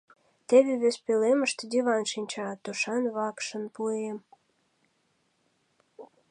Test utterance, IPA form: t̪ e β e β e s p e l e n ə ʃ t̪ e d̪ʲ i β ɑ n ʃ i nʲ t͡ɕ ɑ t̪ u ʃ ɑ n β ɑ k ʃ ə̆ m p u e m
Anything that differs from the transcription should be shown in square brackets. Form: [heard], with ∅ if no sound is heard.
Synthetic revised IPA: t̪ e β e β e s p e l e [m] ə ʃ t̪ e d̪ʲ i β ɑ n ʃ i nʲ t͡ɕ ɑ t̪ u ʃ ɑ n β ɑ k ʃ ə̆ [n] p u e m